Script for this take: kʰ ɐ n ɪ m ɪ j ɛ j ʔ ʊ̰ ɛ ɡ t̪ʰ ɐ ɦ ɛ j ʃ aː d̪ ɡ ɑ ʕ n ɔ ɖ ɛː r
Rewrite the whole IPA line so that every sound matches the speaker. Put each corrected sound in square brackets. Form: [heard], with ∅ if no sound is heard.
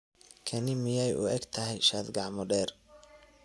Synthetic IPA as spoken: kʰ ɐ n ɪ m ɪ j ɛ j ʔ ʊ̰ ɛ ɡ t̪ʰ ɐ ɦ ɛ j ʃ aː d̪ ɡ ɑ ʕ [m] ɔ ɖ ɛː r

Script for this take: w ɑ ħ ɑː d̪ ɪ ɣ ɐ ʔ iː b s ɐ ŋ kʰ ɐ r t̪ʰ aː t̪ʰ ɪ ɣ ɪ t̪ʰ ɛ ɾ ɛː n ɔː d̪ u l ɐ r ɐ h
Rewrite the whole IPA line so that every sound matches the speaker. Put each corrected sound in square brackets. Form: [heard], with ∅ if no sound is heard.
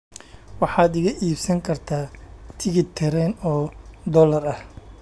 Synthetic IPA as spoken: w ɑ ħ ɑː d̪ ɪ ɣ ɐ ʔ iː b s ɐ ŋ kʰ ɐ r t̪ʰ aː t̪ʰ ɪ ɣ ɪ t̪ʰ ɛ ɾ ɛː n ɔː d̪ [ɔ] l ɐ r ɐ h

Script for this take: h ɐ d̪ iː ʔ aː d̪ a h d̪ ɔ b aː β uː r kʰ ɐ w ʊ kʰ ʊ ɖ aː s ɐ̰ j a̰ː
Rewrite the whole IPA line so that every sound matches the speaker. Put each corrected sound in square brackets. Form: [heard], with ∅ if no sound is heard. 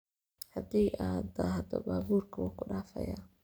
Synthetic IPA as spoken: h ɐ d̪ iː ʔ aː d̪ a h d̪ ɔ b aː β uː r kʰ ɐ w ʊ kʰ ʊ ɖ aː [f] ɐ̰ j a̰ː

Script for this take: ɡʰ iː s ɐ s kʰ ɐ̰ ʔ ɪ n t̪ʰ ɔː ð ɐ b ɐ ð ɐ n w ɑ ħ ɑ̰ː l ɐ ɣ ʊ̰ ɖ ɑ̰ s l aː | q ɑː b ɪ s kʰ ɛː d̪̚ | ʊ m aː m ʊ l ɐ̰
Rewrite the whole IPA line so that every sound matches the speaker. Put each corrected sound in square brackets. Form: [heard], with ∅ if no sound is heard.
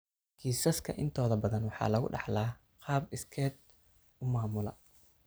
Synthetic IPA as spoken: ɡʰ iː s ɐ s kʰ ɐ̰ ʔ ɪ n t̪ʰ ɔː ð ɐ b ɐ ð ɐ n w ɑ ħ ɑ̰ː l ɐ ɣ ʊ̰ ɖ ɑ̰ [ħ] l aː | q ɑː b ɪ s kʰ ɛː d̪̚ | ʊ m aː m ʊ l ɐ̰

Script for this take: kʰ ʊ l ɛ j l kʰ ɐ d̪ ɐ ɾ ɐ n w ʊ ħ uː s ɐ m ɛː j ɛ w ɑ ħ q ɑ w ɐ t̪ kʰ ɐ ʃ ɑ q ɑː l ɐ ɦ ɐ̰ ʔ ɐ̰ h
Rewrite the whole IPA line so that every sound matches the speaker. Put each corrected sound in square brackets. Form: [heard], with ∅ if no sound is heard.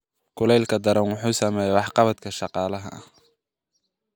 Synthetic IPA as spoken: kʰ ʊ l ɛ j l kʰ ɐ d̪ ɐ ɾ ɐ n w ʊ ħ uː s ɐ m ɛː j ɛ w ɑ ħ q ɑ [β] ɐ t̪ kʰ ɐ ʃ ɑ q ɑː l ɐ ɦ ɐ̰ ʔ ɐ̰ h

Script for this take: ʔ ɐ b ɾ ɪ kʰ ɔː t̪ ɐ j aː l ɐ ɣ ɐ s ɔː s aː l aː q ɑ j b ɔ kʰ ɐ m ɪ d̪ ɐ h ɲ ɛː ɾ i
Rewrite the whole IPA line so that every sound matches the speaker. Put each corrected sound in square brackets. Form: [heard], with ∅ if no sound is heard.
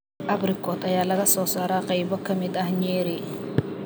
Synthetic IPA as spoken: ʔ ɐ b ɾ ɪ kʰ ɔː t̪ ɐ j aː l ɐ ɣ ɐ s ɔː s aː [ɾ] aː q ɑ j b ɔ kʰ ɐ m ɪ d̪ ɐ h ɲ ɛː ɾ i

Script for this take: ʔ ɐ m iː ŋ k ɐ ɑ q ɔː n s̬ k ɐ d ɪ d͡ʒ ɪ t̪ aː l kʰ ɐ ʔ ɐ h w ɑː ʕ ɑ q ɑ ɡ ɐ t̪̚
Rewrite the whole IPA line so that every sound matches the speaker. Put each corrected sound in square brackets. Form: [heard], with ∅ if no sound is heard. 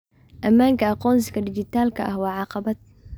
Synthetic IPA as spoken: ʔ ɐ m [aː] ŋ k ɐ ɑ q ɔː n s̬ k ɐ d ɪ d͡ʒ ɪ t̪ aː l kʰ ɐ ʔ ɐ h w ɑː ʕ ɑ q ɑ [b] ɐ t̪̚

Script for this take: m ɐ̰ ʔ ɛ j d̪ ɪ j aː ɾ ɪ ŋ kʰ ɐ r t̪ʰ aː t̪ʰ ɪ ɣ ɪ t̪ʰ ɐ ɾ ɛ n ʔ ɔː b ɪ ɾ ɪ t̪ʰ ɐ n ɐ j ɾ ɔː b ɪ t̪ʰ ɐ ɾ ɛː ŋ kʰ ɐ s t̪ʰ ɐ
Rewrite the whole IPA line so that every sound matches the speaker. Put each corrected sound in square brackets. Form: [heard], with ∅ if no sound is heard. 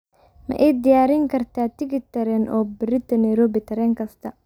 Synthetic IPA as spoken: m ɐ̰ ʔ ɛ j d̪ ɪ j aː ɾ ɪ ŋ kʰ ɐ r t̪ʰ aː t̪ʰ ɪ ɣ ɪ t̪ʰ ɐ ɾ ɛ n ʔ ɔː b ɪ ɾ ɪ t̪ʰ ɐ n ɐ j ɾ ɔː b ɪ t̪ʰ ɐ ɾ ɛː ŋ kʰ ɐ s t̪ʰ ɐ

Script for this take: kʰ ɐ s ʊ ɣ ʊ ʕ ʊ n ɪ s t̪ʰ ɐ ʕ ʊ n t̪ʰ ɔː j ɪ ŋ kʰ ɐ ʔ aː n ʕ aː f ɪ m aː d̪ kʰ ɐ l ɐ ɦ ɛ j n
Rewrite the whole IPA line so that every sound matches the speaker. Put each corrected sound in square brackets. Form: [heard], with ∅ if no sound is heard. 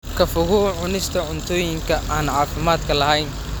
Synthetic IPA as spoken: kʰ ɐ [f] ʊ ɣ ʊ ʕ ʊ n ɪ s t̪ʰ ɐ ʕ ʊ n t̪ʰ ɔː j ɪ ŋ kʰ ɐ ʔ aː n ʕ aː f ɪ m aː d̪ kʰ ɐ l ɐ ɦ ɛ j n

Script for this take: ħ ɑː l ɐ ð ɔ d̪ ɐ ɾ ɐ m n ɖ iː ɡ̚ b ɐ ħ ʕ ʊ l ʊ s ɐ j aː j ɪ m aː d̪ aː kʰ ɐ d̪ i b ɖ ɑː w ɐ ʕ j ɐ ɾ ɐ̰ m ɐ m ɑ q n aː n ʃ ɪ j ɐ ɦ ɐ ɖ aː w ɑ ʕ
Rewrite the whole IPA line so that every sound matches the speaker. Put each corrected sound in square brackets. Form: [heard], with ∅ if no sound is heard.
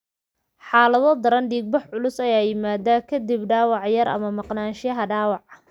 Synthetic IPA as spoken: ħ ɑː l ɐ ð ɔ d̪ ɐ ɾ ɐ [∅] n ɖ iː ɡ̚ b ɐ ħ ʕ ʊ l ʊ s ɐ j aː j ɪ m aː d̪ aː kʰ ɐ d̪ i b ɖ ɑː w [ɑ] ʕ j ɐ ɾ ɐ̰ m ɐ m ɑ q n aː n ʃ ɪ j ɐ ɦ ɐ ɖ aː w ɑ ʕ

